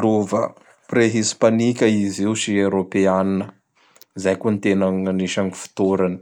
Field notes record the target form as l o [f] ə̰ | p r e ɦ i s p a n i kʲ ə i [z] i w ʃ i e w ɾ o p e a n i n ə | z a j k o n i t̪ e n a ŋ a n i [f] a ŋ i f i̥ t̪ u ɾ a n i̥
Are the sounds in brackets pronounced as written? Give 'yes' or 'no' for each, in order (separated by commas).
no, yes, no